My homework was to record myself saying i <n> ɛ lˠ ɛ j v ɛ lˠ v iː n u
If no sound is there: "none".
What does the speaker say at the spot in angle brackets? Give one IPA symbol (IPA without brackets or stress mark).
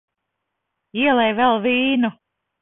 none